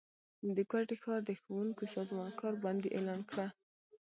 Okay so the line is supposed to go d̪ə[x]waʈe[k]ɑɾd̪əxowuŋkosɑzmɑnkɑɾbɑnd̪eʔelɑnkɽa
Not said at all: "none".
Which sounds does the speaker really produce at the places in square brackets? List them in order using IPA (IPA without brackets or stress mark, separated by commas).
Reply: k, x